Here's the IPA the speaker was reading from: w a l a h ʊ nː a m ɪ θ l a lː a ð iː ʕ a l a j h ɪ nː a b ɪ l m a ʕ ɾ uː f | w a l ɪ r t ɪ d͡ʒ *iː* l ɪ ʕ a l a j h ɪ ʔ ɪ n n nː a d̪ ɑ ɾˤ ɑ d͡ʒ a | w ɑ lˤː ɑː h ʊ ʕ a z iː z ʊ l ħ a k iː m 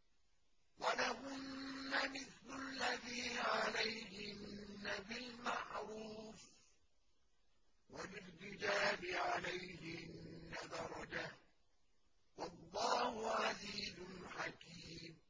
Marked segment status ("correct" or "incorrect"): incorrect